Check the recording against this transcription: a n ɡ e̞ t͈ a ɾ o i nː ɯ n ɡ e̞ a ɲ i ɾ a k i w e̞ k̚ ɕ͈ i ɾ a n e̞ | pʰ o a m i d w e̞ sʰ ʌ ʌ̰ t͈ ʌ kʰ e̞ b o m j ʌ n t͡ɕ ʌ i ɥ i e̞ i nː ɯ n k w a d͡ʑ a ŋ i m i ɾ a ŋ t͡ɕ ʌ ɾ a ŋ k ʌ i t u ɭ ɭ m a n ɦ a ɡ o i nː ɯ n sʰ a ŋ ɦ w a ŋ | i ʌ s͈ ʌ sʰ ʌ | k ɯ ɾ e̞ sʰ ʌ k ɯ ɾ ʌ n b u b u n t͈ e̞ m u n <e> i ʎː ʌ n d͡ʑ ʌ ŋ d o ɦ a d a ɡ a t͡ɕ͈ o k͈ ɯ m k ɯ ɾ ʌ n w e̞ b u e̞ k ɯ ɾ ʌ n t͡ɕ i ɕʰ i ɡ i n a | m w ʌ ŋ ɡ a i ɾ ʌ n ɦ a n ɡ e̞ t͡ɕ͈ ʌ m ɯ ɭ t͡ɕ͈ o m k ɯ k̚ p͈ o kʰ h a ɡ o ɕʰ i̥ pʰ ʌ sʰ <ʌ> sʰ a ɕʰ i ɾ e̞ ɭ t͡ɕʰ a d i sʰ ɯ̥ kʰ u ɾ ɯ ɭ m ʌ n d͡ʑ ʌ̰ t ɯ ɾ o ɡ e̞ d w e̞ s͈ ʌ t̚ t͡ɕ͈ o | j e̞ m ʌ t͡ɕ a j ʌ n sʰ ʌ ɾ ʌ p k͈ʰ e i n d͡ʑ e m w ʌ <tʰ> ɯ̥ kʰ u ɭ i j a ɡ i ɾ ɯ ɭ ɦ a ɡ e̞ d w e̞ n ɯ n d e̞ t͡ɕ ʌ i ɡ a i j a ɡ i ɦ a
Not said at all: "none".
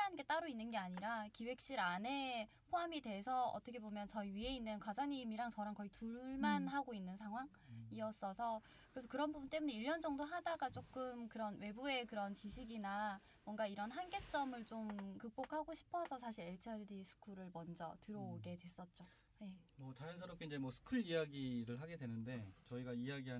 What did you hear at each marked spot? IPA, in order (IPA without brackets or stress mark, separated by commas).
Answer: e, ʌ, sʰ